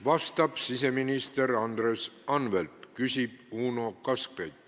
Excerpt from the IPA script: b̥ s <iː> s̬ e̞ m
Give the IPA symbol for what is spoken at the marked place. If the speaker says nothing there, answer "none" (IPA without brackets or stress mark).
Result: i